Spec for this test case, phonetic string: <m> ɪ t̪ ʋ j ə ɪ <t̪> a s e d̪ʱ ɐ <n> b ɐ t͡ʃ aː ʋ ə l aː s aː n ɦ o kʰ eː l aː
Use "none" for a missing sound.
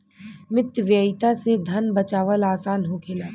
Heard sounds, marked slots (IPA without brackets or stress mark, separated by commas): m, t̪, n